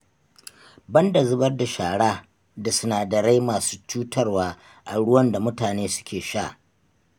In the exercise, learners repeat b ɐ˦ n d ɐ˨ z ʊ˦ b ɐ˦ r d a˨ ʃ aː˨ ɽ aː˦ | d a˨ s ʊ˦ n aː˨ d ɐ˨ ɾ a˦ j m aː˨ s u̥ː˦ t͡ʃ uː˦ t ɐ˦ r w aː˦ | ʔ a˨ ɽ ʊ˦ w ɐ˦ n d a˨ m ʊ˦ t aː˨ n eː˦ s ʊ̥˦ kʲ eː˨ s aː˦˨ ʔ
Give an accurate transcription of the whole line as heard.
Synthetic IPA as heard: b ɐ˦ n d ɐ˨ z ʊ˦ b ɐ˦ r d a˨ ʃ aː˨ ɽ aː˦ | d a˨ s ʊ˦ n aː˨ d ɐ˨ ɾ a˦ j m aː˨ s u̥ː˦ t͡ʃ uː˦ t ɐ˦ r w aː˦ | ʔ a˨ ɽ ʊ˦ w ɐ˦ n d a˨ m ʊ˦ t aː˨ n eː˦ s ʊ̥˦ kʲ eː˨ ʃ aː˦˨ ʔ

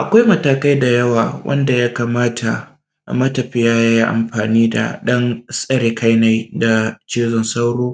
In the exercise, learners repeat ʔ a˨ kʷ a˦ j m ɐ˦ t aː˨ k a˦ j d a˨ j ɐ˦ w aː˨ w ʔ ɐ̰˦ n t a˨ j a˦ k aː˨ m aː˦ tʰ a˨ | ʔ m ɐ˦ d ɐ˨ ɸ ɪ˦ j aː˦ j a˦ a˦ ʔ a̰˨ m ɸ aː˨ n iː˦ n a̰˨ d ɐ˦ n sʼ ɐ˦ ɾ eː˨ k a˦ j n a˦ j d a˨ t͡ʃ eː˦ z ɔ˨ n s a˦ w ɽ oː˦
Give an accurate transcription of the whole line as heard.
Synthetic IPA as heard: ʔ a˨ kʷ a˦ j m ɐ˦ t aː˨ k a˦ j d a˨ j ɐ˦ w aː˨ w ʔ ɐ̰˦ n d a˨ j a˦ k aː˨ m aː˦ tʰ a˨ | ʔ m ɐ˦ t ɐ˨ ɸ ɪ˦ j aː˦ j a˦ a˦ ʔ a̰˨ m ɸ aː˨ n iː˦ d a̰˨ ɗ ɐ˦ n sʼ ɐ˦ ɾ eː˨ k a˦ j n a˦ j d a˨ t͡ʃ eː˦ z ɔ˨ n s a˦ w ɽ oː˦

